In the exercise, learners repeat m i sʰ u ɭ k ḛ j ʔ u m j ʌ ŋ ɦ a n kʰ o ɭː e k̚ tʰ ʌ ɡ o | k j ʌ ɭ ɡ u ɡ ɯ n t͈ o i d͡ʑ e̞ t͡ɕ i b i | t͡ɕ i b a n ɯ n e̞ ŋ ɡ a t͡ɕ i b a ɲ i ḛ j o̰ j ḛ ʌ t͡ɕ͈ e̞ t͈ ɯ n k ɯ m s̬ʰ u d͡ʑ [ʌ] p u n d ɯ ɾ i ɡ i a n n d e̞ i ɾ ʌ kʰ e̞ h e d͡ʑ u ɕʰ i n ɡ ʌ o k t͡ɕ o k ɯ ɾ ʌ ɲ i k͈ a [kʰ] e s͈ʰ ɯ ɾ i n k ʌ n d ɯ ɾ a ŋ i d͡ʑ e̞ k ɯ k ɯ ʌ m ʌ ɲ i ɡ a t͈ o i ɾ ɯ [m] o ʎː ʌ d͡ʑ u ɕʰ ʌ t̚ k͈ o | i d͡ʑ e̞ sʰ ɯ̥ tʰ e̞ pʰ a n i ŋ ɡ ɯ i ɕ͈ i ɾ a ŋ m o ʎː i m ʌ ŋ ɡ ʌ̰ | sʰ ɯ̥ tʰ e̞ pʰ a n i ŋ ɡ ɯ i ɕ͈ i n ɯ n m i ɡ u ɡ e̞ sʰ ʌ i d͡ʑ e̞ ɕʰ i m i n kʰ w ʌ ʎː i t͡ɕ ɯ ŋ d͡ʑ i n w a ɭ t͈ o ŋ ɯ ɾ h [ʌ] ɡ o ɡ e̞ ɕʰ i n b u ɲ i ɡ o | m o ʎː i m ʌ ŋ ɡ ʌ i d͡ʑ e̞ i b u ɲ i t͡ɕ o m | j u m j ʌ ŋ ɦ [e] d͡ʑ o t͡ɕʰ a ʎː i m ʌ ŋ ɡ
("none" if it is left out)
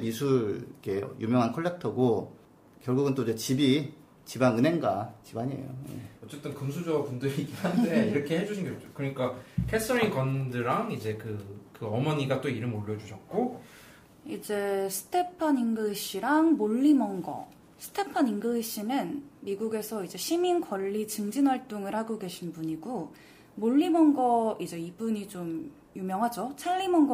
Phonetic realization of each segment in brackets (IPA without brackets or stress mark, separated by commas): ʌ, kʰ, m, a, a